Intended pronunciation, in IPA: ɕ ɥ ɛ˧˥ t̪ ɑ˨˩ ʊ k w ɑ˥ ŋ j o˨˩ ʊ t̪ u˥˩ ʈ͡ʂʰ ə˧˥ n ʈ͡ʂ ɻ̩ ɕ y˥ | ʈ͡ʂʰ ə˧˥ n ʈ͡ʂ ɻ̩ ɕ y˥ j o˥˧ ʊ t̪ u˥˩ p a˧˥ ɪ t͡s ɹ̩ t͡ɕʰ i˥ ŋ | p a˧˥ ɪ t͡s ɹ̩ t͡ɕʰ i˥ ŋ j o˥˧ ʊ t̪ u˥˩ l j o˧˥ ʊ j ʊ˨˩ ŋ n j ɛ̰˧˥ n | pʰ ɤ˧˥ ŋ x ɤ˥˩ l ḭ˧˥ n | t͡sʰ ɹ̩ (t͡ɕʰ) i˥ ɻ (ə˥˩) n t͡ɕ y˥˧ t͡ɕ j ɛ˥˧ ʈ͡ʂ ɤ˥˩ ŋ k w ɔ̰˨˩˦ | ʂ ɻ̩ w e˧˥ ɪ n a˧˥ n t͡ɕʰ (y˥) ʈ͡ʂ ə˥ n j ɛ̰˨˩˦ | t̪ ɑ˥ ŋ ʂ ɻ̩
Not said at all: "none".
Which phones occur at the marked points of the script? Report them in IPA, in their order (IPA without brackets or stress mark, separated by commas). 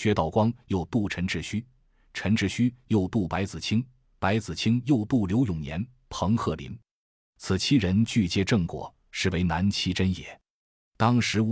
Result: t͡ɕʰ, ə˧˥, i˥